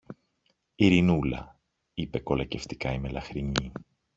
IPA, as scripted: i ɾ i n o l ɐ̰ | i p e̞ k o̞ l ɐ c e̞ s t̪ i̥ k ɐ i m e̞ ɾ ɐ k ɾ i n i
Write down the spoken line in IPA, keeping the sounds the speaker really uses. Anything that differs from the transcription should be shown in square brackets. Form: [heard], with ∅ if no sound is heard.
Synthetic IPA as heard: i ɾ i n [u] l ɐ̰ | i p e̞ k o̞ l ɐ c e̞ [f] t̪ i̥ k ɐ i m e̞ [l] ɐ [x] ɾ i [ɲ] i